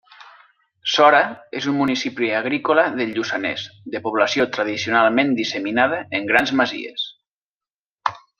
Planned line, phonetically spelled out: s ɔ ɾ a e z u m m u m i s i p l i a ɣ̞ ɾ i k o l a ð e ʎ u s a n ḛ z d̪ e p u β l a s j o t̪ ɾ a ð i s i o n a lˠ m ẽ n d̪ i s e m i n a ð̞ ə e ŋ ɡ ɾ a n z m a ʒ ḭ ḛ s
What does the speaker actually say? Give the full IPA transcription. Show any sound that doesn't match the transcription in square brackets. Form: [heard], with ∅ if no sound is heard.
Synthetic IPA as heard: s ɔ ɾ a e z u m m u [n] i s i p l i a ɣ̞ ɾ i k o l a ð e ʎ u s a n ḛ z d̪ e p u β l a s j o t̪ ɾ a ð i s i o n a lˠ m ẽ n d̪ i s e m i n a ð̞ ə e ŋ ɡ ɾ a n z m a [z] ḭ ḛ s